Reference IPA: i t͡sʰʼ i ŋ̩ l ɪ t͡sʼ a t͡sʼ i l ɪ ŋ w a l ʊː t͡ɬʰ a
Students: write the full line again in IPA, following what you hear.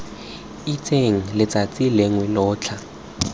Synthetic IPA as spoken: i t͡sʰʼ e ŋ̩ l ɪ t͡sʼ a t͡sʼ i l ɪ ŋ w ɛ l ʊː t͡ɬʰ a